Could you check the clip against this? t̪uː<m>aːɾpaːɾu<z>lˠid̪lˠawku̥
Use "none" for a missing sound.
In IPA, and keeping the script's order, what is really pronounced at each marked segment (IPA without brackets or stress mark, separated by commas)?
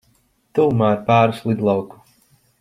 m, s